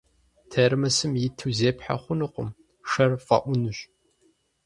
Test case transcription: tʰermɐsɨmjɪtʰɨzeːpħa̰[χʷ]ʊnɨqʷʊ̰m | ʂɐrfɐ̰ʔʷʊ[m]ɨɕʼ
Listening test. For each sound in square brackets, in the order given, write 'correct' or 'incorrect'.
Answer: correct, incorrect

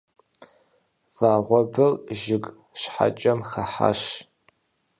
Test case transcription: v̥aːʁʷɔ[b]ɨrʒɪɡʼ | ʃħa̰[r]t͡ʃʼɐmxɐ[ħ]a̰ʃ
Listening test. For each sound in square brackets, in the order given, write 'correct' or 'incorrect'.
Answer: correct, incorrect, correct

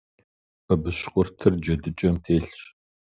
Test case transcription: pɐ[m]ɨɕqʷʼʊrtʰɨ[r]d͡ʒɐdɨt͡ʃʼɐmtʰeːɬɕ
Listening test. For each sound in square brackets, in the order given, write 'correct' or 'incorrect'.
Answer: incorrect, correct

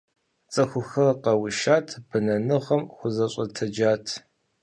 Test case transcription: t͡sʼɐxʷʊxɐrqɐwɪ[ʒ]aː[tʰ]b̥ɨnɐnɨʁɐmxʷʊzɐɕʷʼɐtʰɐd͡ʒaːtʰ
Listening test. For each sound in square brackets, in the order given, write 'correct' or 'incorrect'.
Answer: incorrect, correct

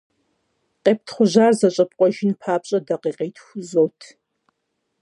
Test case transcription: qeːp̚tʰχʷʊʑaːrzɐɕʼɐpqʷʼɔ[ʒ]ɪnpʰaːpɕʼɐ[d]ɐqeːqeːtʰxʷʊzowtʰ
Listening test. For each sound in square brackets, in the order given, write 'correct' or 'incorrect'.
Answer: correct, correct

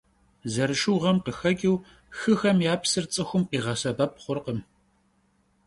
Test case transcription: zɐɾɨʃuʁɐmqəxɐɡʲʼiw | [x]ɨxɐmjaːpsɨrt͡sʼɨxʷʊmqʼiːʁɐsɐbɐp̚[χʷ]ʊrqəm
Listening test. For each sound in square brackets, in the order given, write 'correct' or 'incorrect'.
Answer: correct, correct

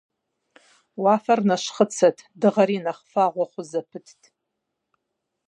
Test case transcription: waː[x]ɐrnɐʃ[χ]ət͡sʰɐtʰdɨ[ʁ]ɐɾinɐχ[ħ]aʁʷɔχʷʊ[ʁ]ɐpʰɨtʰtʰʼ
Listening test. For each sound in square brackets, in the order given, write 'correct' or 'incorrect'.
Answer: incorrect, correct, correct, incorrect, incorrect

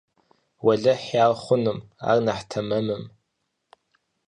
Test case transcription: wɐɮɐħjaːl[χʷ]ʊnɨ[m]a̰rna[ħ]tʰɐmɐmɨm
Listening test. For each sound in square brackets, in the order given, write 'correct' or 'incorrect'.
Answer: correct, correct, correct

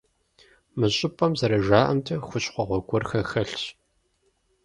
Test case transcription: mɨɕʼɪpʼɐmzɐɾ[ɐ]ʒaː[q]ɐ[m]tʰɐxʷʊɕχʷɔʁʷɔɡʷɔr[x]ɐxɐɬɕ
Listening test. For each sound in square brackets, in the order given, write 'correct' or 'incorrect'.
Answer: correct, incorrect, correct, correct

